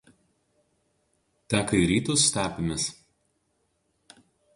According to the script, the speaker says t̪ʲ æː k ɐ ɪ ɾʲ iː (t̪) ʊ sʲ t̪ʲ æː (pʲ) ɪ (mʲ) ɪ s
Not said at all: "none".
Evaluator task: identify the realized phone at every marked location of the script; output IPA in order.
t̪, pʲ, mʲ

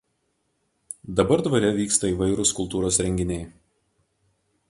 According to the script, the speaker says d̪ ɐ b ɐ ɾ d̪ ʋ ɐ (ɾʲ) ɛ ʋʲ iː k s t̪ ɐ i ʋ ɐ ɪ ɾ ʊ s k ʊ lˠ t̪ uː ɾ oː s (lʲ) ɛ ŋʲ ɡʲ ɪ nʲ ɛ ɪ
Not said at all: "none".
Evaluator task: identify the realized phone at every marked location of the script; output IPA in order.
ɾʲ, ɾʲ

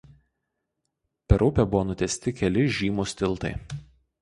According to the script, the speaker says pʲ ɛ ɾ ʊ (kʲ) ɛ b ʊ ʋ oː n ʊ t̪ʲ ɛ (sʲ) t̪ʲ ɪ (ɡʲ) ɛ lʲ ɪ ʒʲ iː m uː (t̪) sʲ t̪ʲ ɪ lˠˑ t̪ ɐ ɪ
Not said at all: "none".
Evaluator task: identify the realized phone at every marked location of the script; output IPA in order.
pʲ, sʲ, kʲ, none

